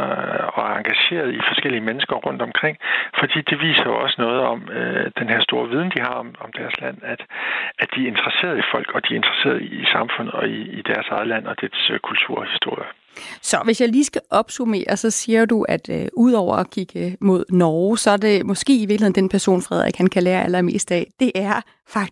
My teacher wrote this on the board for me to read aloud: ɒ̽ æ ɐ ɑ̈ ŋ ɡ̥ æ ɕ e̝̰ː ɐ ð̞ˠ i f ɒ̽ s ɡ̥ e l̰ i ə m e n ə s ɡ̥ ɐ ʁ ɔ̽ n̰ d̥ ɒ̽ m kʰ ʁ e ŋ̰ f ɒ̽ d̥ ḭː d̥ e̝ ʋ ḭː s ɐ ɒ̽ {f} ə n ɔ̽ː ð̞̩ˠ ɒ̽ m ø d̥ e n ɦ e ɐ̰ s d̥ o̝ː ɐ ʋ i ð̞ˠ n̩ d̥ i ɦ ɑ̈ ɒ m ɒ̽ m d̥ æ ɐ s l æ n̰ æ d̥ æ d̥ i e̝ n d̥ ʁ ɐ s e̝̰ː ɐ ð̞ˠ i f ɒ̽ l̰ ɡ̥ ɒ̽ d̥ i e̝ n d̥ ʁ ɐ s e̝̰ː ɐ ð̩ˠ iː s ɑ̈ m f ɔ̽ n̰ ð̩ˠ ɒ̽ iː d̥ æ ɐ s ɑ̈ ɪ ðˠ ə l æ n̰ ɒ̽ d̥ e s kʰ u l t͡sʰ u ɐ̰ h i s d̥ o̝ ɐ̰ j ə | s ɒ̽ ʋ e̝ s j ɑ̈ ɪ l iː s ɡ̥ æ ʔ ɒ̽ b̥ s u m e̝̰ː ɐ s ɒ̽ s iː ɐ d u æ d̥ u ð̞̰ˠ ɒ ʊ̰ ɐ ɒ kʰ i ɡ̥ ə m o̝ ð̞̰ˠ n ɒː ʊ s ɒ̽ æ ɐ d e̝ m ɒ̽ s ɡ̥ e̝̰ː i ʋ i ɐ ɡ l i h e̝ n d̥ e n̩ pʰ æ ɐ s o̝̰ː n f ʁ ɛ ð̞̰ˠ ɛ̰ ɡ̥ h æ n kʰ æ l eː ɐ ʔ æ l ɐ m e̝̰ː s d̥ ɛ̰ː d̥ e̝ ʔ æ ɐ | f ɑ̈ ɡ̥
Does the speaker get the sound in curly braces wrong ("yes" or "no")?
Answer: yes